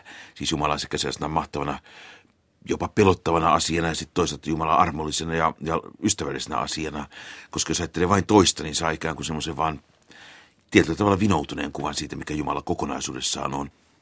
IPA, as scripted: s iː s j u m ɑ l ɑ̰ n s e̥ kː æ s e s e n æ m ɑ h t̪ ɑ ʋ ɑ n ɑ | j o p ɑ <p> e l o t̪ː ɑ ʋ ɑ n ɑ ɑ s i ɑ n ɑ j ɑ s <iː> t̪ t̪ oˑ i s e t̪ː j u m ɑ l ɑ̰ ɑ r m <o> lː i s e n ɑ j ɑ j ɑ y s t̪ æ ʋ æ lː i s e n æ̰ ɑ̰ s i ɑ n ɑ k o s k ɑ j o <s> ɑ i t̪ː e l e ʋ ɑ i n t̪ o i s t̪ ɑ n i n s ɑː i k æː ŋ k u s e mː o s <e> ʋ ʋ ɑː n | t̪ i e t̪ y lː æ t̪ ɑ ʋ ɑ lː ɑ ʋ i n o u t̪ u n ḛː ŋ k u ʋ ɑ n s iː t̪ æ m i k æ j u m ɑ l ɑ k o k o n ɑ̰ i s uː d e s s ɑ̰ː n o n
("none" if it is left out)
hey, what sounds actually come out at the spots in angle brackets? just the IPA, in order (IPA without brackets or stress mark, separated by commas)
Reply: p, i, o, s, e